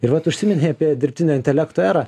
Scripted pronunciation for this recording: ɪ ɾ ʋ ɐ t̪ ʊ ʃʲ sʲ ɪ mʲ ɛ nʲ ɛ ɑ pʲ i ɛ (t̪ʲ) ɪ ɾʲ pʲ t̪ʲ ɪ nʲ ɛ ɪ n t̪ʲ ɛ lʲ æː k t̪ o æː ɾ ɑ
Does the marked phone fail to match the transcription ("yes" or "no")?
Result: yes